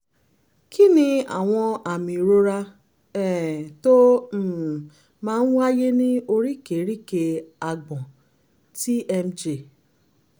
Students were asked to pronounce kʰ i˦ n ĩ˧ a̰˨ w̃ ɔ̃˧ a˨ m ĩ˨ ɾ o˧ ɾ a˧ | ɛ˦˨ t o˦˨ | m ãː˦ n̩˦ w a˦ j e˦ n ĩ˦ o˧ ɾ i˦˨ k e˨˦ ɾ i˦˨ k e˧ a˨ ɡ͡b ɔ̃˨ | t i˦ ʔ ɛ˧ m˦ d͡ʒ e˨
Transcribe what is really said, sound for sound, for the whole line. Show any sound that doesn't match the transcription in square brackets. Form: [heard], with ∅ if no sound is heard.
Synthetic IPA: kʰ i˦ n ĩ˧ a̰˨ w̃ ɔ̃˧ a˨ m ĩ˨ ɾ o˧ ɾ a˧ | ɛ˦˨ t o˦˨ | m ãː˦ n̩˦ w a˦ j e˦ n ĩ˦ o˧ ɾ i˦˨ k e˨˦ ɾ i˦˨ k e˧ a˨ ɡ͡b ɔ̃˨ | t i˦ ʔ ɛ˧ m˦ d͡ʒ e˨